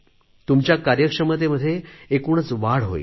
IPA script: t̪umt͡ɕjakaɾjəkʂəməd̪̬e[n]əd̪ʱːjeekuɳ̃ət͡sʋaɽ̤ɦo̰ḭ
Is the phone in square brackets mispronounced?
yes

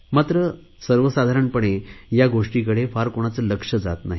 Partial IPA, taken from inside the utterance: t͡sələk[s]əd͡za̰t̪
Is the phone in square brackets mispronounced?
yes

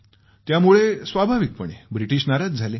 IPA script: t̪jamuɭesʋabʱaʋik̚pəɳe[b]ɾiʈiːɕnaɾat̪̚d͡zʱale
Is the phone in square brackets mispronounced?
no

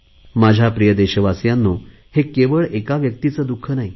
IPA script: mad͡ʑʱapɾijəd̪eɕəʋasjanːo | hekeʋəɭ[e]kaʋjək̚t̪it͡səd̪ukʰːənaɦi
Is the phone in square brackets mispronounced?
no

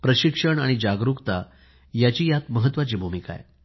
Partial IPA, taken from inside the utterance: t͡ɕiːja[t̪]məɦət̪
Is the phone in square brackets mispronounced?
no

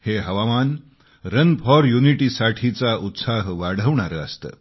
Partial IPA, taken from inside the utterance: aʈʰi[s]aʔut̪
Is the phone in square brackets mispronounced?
yes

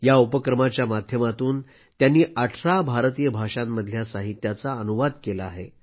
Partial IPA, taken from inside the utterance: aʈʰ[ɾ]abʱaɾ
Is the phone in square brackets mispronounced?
no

